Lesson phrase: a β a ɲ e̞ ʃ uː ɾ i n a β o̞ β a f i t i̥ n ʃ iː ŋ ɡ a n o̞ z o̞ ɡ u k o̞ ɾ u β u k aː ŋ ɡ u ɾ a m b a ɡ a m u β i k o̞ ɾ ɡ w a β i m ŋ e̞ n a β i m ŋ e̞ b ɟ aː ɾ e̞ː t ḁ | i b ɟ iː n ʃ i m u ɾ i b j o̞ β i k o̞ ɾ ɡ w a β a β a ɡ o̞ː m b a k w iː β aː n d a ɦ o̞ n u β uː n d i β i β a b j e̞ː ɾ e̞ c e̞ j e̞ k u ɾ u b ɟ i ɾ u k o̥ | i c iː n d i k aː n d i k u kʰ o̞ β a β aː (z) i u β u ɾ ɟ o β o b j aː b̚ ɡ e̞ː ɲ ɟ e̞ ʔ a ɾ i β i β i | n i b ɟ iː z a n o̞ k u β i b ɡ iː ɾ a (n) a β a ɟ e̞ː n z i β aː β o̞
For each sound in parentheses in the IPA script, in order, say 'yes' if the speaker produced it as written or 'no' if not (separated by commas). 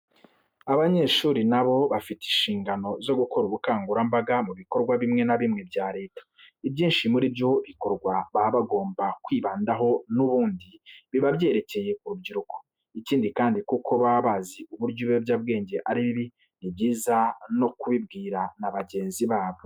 yes, yes